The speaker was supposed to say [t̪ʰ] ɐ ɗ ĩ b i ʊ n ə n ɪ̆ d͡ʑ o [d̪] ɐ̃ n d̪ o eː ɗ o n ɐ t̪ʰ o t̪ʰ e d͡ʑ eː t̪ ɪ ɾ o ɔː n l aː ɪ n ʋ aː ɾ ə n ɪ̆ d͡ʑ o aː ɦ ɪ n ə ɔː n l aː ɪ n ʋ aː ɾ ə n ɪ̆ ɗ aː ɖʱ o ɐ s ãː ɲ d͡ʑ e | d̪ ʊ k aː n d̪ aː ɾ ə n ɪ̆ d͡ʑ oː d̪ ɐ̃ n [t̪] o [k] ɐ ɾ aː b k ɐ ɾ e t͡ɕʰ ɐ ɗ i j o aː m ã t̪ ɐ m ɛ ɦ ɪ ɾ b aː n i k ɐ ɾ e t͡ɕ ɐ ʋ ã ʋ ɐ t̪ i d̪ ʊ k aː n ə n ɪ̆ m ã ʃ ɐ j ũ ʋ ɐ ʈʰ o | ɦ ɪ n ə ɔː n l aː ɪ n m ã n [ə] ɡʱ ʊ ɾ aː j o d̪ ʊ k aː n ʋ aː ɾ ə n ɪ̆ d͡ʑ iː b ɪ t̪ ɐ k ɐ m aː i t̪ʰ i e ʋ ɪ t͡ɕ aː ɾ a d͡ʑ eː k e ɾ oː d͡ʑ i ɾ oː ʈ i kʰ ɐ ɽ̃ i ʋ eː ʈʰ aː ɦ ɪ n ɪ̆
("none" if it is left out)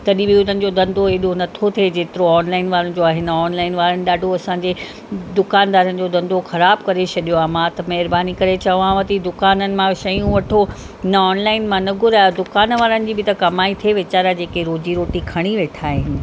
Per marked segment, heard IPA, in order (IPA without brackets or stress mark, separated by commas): t̪, d̪, d̪, x, ɐ